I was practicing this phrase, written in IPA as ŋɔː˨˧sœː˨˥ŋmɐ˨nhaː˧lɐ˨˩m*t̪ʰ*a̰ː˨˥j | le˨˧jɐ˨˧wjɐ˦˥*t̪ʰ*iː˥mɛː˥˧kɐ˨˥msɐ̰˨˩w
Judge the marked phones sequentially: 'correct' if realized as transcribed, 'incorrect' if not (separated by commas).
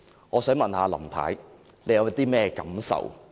correct, incorrect